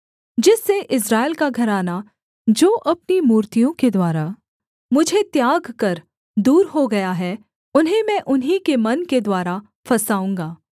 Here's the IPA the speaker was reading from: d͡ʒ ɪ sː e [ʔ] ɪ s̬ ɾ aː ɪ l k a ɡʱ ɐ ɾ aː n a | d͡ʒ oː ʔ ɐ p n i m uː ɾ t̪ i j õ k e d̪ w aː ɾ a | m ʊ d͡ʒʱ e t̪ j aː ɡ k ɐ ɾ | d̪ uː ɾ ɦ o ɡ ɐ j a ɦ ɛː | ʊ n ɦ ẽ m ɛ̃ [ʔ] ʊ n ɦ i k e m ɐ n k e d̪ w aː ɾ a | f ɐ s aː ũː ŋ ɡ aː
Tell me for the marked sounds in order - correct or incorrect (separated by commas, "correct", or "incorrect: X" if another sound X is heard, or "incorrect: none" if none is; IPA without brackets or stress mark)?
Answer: correct, correct